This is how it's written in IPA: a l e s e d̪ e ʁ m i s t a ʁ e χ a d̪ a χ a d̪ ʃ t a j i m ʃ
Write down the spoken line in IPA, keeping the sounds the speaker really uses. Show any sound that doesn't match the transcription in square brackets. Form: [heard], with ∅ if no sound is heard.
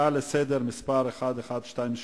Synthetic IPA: a l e s e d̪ e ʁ m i s [p] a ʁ e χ a d̪ [e] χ a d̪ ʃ t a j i m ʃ